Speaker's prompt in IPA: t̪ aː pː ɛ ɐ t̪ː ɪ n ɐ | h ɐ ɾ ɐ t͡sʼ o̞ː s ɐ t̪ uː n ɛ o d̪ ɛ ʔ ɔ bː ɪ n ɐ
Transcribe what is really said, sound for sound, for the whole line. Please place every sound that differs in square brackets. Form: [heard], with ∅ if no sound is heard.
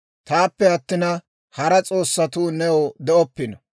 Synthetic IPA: t̪ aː pː ɛ ɐ t̪ː ɪ n ɐ | h ɐ ɾ ɐ t͡sʼ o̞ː [sː] ɐ t̪ uː n ɛ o d̪ ɛ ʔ ɔ [pː] ɪ n ɐ